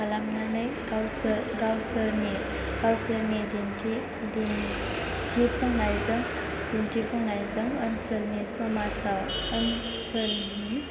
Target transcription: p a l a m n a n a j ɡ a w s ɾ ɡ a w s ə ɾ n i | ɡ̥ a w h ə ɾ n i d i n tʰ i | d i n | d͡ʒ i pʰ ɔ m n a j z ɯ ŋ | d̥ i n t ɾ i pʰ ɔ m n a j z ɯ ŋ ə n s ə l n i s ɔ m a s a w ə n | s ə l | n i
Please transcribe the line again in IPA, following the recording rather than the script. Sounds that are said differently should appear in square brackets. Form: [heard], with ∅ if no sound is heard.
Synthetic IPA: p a l a m n a n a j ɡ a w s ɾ ɡ a w s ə ɾ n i | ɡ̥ a w [s] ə ɾ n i d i n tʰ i | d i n | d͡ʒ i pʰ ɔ [ŋ] n a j z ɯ ŋ | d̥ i n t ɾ i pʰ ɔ [ŋ] n a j z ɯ ŋ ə n s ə l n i s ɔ m a s a w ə n | s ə l | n i